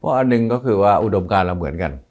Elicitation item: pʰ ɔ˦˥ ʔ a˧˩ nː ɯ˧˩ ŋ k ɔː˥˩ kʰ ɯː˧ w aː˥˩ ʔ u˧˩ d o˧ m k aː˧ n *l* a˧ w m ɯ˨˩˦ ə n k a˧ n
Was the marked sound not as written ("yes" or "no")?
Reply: no